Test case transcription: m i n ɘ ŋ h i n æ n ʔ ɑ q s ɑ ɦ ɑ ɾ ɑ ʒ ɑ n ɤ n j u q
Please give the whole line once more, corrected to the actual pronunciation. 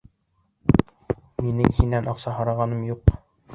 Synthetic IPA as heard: m i n ɘ ŋ h i n æ n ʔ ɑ q s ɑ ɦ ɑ ɾ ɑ ʁ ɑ n ɤ m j u q